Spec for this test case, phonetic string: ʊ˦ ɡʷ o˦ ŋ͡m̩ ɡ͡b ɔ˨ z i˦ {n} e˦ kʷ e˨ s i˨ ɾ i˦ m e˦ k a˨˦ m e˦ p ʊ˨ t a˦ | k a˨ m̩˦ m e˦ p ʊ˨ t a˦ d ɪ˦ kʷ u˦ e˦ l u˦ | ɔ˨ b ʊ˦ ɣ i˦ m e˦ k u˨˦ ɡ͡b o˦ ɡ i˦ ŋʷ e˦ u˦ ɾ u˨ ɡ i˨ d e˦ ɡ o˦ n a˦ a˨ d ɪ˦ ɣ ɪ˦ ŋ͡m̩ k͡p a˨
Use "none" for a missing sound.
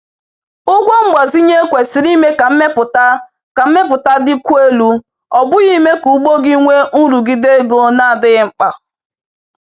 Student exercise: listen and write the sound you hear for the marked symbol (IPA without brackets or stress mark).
ɲ